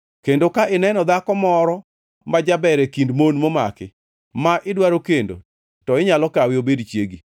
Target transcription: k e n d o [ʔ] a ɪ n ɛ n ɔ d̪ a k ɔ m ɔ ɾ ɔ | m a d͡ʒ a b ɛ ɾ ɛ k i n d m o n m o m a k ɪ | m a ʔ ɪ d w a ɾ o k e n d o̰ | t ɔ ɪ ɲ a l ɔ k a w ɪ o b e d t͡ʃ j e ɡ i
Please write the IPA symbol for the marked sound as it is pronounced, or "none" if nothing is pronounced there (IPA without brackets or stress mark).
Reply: k